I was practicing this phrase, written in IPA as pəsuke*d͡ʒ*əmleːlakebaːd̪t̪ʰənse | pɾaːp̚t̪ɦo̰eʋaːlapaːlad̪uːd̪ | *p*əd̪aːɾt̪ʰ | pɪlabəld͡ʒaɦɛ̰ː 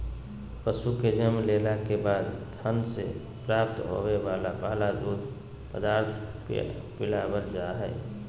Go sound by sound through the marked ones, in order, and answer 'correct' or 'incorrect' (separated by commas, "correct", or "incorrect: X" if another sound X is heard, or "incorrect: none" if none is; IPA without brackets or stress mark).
correct, correct